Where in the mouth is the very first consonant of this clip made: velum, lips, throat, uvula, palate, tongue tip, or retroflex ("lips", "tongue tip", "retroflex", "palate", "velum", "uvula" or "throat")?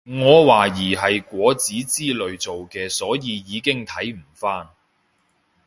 velum